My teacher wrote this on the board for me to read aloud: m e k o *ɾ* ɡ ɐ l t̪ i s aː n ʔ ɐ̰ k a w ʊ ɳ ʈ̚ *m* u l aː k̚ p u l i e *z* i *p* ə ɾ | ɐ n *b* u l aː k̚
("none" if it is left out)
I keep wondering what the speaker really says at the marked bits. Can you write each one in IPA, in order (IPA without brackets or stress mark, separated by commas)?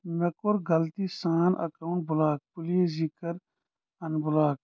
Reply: ɾ, b, z, k, b